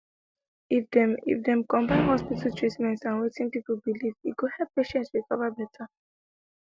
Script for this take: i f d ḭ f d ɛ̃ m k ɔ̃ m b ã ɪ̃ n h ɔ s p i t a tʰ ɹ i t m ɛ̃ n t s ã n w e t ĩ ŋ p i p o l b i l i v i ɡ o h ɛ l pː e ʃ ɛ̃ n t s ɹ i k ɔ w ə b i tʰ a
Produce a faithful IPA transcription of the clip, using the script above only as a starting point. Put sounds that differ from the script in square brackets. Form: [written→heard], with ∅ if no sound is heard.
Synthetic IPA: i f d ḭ f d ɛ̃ m k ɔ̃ m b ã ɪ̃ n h ɔ s p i t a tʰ ɹ i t m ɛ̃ n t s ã n w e t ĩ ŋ p i p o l b i l i v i ɡ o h ɛ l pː e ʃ ɛ̃ n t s ɹ i k ɔ [w→v] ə b [i→ɛ] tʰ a

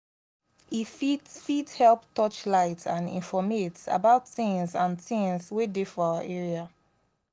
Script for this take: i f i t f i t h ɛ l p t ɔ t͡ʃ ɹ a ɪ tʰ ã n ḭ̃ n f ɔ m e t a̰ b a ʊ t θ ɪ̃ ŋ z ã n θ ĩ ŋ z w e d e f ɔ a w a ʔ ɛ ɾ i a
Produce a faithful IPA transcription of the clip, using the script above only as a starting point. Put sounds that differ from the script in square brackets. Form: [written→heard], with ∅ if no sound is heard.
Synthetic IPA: i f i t f i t h ɛ l p t ɔ t͡ʃ [ɹ→l] a ɪ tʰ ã n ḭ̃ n f ɔ m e t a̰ b a ʊ t θ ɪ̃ ŋ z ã n θ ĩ ŋ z w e d e f ɔ a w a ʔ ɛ [ɾ→ɹ] i a

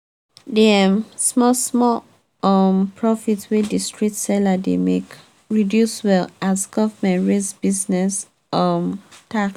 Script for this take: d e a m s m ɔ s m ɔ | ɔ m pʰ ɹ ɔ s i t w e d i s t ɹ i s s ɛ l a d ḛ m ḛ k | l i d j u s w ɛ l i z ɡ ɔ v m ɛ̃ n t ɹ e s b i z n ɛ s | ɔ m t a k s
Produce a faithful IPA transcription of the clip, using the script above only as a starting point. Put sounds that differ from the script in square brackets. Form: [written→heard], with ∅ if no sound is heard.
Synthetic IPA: d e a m s m ɔ s m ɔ | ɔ m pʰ ɹ ɔ [s→f] i t w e d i s t ɹ i [s→t] s ɛ l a d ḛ m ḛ k | [l→ɹ] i d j u s w ɛ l [i→a] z ɡ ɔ v m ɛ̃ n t ɹ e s b i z n ɛ s | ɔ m t a k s

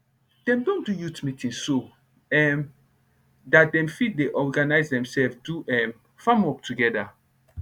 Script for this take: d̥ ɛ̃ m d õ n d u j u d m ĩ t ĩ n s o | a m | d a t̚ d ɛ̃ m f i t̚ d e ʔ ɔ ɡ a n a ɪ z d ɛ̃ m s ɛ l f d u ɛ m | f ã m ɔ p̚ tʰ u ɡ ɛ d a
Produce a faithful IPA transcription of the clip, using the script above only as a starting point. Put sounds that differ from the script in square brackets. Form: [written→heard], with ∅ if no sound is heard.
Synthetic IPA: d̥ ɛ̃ m d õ n d u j u [d→t] m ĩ t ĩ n s o | [a→ɛ] m | d a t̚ d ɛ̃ m f i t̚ d e ʔ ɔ ɡ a n a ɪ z d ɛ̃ m s ɛ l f d u ɛ m | f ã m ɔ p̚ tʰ u ɡ ɛ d a

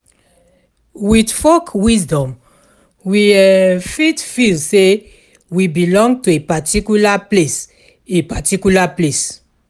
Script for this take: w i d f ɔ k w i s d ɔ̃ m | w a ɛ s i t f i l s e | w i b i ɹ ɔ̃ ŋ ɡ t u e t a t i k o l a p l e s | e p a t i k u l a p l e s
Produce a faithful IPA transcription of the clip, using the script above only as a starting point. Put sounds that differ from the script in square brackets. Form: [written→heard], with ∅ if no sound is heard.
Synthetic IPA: w i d f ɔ k w i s d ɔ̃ m | w [a→i] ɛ [s→f] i t f i l s e | w i b i [ɹ→l] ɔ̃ ŋ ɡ t u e [t→p] a t i k [o→u] l a p l e s | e p a t i k u l a p l e s

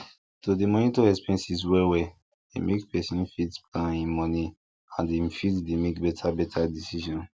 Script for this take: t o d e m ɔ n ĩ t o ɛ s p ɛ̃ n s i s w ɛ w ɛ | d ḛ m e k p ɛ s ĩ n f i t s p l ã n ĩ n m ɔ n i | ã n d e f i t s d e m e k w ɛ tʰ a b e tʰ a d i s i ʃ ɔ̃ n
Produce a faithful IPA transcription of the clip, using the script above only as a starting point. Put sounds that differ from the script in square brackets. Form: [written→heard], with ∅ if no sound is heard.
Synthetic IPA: t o d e m ɔ n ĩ t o ɛ s p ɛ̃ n s i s w ɛ w ɛ | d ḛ m e k p ɛ s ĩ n f i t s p l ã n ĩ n m ɔ n i | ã n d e f i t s d e m e k [w→b] ɛ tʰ a b [e→ɛ] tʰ a d i s i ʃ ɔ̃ n

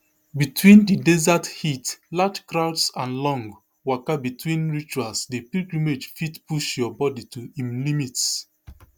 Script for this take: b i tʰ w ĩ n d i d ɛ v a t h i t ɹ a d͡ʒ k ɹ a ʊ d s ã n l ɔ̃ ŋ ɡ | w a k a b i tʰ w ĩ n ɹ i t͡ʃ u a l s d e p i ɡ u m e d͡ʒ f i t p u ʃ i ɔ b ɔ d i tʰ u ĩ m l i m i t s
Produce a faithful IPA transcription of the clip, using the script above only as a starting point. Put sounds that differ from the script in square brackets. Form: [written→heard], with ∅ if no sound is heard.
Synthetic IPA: b i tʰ w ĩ n d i d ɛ [v→z] a t h i t [ɹ→l] a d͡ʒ k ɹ a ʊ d s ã n l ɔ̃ ŋ ɡ | w a k a b i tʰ w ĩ n ɹ i t͡ʃ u a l s d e p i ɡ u m e d͡ʒ f i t p u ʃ [i→j] ɔ b ɔ d i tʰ u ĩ m l i m i t s

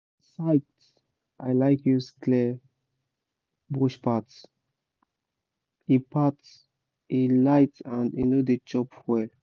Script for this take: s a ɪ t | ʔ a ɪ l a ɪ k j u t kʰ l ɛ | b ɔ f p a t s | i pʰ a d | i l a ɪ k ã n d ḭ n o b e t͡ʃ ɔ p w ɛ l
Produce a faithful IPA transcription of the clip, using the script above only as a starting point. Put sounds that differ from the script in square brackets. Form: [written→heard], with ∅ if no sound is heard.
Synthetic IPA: s a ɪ t | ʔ a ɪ l a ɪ k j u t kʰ l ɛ | b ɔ [f→ʃ] p a t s | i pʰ a [d→t] | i l a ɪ [k→t] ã n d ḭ n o [b→d] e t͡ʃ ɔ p w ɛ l

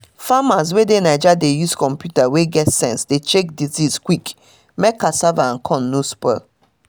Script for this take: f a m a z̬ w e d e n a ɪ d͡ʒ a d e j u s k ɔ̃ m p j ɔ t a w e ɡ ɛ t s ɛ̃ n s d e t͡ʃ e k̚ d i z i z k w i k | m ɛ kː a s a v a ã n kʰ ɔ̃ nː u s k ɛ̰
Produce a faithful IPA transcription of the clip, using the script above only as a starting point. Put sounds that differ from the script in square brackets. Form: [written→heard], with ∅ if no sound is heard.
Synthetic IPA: f a m a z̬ w e d e n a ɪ d͡ʒ a d e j u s k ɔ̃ m p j [ɔ→u] t a w e ɡ ɛ t s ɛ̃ n s d e t͡ʃ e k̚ d i z i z k w i k | m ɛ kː a s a v a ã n kʰ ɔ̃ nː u s [k→p] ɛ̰

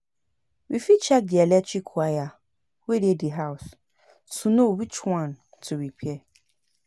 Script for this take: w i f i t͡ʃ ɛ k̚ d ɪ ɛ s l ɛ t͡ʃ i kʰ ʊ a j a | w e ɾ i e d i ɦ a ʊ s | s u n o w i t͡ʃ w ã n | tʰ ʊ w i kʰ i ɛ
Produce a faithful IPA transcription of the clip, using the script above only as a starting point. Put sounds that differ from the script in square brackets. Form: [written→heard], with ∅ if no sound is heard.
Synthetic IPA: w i f i t͡ʃ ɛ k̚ d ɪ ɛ [s→∅] l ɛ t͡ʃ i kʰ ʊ a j a | w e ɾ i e d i ɦ a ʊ s | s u n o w i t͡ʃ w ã n | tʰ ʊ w i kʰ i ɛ

